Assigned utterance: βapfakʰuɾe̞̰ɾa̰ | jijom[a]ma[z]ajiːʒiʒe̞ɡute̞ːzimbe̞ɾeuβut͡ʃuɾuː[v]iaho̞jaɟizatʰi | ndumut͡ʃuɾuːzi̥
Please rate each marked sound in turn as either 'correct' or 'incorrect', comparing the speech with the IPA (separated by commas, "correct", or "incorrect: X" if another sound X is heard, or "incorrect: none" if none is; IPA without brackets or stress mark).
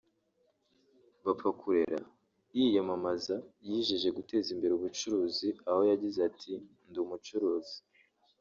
correct, correct, incorrect: z